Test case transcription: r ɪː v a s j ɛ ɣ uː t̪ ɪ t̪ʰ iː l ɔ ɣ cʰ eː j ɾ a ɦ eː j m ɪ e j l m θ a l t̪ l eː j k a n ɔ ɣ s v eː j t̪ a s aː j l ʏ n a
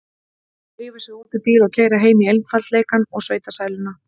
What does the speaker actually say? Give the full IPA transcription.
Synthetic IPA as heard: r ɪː v a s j ɛ ɣ uː t̪ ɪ t̪ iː l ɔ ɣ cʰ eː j ɾ a ɦ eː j m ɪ e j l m f a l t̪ l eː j k a n ɔ ɣ s v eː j t̪ a s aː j l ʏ n a

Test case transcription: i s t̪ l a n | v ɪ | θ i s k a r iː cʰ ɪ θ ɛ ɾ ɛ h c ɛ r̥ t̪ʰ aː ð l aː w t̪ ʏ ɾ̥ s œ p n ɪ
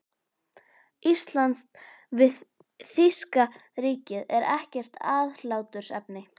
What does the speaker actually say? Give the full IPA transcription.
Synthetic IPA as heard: i s t̪ l a n | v ɪ | θ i s k a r iː c ɪ ð ɛ ɾ ɛ h c ɛ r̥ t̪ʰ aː ð l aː w t̪ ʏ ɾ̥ s ɛ p n ɪ

